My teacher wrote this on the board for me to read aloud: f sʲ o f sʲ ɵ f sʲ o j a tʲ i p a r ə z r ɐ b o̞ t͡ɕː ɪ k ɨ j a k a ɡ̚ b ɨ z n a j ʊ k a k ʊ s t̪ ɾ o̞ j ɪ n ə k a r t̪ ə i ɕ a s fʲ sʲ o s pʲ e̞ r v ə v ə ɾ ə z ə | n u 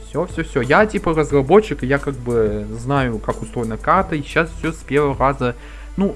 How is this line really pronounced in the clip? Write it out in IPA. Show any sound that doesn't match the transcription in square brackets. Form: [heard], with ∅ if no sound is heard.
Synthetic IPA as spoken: f sʲ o f sʲ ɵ f sʲ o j a tʲ i p [ə] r ə z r ɐ b o̞ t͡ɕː ɪ k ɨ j a k a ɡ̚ b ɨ z n a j ʊ k a k ʊ s t̪ ɾ o̞ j ɪ n ə k a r t̪ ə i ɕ a s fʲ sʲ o s pʲ e̞ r v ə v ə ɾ [a] z ə | n u